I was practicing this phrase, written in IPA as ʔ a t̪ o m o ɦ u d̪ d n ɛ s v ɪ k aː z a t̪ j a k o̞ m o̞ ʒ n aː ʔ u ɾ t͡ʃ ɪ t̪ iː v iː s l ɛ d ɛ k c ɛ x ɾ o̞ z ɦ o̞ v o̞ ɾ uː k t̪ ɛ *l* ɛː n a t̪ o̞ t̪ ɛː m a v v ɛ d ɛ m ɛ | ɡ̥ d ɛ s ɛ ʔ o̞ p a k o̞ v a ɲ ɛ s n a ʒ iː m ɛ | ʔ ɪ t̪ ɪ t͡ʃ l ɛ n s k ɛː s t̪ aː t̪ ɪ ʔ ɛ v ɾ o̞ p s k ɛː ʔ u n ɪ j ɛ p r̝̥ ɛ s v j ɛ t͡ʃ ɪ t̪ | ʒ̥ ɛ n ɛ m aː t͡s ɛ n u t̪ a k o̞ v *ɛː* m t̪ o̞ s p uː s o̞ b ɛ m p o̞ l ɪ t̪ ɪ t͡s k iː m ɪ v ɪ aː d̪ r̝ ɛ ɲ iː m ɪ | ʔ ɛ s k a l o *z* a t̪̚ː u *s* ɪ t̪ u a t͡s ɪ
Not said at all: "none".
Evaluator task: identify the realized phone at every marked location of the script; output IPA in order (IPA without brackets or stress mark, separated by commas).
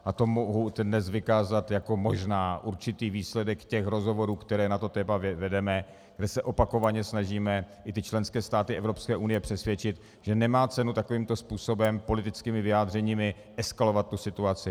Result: ɾ, iː, v, s